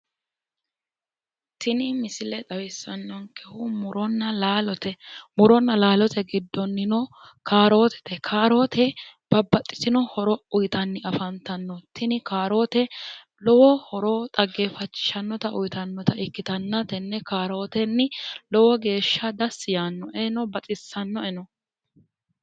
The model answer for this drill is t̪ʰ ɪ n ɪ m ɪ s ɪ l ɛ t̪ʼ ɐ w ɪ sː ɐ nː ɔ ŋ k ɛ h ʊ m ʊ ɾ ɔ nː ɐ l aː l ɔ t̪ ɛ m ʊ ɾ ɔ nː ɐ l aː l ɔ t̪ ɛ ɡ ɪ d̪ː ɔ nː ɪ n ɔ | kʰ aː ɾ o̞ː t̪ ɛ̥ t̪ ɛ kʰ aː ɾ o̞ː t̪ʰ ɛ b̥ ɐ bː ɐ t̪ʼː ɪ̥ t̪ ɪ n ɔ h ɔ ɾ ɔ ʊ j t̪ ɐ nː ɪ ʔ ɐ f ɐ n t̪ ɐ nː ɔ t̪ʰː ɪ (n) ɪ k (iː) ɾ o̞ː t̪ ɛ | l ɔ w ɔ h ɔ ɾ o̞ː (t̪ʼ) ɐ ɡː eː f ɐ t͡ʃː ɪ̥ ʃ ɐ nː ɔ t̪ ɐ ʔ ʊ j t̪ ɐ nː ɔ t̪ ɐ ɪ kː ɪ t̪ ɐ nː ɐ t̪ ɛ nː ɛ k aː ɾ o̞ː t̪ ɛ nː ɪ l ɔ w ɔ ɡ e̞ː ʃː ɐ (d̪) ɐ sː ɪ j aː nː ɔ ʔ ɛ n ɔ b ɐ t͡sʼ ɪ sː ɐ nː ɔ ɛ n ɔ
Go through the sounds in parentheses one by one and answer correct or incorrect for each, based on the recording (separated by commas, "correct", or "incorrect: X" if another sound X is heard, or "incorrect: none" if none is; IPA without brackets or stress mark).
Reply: correct, incorrect: aː, correct, correct